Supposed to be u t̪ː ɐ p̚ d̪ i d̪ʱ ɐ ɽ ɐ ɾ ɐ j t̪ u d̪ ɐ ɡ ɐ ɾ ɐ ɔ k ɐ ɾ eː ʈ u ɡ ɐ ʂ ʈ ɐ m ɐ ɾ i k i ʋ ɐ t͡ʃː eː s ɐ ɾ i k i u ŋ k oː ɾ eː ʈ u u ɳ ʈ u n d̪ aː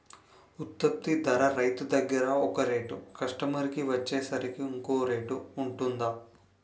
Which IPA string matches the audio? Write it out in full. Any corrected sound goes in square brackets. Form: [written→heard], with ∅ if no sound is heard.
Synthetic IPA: u t̪ː ɐ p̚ [d̪→t̪] i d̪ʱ ɐ [ɽ→ɾ] ɐ ɾ ɐ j t̪ u d̪ ɐ ɡ ɐ ɾ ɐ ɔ k ɐ ɾ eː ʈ u [ɡ→k] ɐ ʂ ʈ ɐ m ɐ ɾ i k i ʋ ɐ t͡ʃː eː s ɐ ɾ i k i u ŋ k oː ɾ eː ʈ u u ɳ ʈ u n d̪ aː